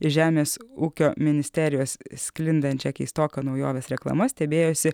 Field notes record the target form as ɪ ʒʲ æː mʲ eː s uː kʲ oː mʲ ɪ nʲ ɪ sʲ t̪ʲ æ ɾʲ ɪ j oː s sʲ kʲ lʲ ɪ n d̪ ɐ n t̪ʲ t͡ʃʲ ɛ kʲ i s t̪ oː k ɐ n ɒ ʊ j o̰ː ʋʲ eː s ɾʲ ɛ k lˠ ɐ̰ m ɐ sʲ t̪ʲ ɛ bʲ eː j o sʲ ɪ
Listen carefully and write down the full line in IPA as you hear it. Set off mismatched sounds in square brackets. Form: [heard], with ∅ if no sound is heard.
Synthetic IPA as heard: ɪ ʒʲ æː mʲ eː s uː kʲ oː mʲ ɪ nʲ ɪ sʲ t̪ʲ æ ɾʲ ɪ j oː s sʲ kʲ lʲ ɪ n d̪ ɐ n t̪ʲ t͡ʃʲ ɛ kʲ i s t̪ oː k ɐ n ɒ ʊ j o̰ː ʋʲ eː s ɾʲ ɛ k lˠ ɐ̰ m ɐ sʲ t̪ʲ ɛ bʲ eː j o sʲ ɪ